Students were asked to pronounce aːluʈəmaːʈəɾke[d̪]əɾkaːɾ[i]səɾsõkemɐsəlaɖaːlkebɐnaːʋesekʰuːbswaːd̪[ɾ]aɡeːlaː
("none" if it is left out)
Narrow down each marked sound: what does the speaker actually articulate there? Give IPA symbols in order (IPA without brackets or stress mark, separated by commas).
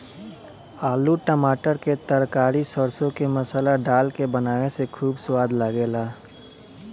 t̪, i, l